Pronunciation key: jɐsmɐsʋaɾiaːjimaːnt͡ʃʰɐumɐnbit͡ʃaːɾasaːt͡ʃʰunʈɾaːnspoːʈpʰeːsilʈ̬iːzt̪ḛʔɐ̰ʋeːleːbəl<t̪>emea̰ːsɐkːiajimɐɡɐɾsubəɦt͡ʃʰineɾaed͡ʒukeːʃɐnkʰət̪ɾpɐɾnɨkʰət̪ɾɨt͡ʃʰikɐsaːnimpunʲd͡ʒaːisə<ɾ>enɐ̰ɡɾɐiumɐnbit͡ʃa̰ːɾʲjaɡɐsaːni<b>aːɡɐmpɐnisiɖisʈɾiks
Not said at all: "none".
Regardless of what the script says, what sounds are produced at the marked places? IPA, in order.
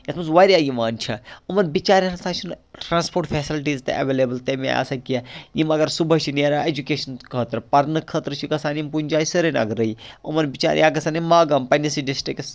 t̪, ɾ, m

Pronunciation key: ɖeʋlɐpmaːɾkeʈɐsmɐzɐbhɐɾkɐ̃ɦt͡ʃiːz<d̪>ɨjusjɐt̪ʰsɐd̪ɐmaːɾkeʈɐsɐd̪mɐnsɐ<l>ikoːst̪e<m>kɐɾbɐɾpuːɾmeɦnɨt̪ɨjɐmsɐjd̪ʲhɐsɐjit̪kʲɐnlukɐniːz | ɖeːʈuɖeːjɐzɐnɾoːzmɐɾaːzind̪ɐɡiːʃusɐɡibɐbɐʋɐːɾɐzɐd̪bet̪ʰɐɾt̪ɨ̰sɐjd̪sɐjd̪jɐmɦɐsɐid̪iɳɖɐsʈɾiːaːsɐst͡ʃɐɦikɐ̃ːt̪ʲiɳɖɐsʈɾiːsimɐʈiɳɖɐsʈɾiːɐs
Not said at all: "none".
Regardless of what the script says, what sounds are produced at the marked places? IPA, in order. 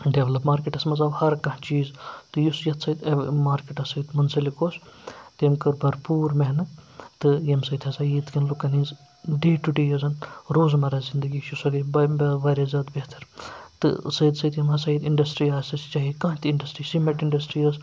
t̪, l, m

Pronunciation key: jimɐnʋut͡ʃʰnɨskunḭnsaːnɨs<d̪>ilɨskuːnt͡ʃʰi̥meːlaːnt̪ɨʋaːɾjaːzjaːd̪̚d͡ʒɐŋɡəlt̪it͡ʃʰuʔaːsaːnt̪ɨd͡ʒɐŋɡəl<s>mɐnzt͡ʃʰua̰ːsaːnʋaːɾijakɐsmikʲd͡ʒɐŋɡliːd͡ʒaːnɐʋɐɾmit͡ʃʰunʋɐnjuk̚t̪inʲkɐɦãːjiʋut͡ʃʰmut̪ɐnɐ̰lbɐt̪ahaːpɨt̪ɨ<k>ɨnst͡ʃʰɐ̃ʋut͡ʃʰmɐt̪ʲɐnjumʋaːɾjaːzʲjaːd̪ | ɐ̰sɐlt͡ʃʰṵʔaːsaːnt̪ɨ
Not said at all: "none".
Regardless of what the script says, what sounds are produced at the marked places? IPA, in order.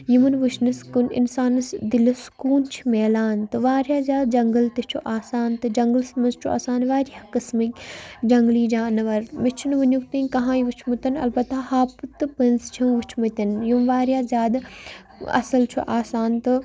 d̪, s, p

